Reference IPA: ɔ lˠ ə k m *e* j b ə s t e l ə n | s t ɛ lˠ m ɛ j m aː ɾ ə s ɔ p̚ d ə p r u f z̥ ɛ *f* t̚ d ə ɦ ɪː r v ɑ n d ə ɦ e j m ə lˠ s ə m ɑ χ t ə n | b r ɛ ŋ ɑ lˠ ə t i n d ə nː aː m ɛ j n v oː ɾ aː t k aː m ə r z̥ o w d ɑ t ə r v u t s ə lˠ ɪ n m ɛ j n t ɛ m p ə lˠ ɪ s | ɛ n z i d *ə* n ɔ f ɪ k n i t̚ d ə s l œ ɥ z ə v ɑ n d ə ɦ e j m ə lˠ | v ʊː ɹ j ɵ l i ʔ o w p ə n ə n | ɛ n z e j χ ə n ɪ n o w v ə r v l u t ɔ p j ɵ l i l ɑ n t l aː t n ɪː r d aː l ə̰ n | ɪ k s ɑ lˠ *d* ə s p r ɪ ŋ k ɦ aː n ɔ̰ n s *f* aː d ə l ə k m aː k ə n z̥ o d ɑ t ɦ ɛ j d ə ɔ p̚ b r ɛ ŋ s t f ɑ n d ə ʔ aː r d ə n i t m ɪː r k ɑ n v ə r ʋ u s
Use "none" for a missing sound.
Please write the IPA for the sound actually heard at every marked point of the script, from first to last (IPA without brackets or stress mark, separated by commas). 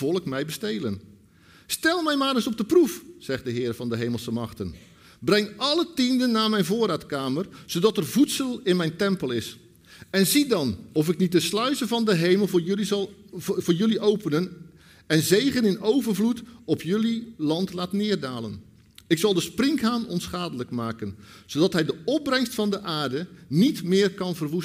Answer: ɛ, χ, ɑ, d, χ